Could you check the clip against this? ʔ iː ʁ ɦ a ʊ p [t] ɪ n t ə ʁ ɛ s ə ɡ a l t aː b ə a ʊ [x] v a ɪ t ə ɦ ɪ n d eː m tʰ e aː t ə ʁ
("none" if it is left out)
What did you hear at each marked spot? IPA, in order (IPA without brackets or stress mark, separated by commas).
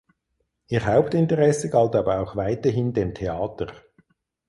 t, x